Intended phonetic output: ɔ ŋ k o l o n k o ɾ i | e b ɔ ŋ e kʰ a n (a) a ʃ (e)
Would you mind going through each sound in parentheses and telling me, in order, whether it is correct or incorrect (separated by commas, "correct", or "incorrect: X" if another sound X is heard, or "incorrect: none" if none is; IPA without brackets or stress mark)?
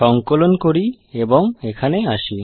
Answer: incorrect: e, incorrect: i